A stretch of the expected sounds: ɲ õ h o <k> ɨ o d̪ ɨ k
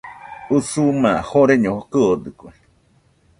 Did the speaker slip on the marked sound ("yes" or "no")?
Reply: no